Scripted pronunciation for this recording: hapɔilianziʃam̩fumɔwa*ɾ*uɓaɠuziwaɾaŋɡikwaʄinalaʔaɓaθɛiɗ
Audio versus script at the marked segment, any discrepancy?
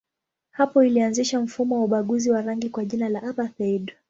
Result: yes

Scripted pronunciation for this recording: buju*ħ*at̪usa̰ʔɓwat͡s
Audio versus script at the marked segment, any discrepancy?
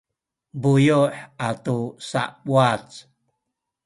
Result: no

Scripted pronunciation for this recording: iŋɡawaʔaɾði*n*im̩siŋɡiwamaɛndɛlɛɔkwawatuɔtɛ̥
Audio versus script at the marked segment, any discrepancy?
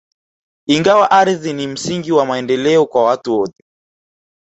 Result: no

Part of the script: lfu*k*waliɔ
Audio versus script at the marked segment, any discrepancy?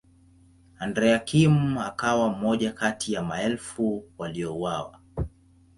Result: yes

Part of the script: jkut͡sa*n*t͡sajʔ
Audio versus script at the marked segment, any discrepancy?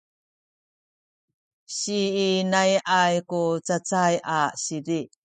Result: yes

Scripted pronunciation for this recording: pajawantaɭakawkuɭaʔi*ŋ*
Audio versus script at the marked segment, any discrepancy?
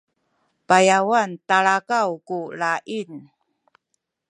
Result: yes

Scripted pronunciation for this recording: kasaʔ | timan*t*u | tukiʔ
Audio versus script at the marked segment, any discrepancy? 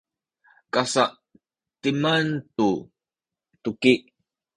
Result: no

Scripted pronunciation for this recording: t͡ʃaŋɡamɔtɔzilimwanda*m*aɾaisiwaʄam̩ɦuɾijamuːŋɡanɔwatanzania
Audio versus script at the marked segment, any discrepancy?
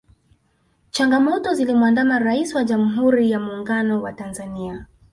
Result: no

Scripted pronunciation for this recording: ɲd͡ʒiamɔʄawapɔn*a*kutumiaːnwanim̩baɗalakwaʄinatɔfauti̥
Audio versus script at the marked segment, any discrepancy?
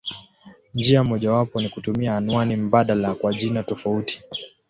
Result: yes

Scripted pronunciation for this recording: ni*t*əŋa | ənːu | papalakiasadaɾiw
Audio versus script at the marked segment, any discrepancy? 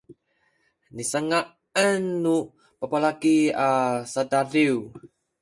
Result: yes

